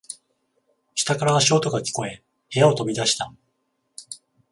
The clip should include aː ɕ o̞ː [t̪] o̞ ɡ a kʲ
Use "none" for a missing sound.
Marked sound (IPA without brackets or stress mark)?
t̪